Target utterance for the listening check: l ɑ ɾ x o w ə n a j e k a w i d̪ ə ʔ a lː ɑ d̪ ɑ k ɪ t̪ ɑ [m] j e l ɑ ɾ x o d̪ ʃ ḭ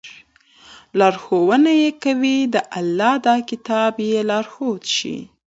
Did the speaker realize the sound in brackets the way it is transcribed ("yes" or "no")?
no